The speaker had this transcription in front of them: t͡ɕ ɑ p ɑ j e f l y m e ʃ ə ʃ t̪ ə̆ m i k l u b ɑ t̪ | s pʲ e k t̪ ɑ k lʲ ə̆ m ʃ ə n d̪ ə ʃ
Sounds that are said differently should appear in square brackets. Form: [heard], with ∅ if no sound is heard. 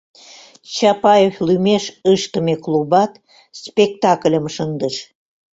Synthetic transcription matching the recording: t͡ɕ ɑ p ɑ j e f l y m e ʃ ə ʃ t̪ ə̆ m [e] k l u b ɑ t̪ | s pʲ e k t̪ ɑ k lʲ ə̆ m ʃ ə n d̪ ə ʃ